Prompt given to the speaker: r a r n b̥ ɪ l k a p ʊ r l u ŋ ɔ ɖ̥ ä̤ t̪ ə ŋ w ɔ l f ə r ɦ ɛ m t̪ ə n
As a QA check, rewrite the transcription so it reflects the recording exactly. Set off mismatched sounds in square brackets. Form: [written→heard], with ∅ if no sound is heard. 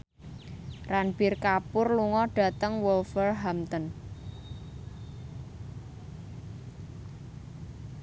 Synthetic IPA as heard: r a [r→∅] n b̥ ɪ [l→r] k a p ʊ r l u ŋ ɔ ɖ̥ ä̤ t̪ ə ŋ w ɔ l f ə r ɦ [ɛ→a] m t̪ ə n